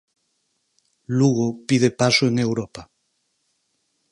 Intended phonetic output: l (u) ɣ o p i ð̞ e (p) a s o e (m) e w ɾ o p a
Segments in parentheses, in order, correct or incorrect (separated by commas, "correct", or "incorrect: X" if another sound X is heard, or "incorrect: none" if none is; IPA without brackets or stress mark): correct, correct, incorrect: ŋ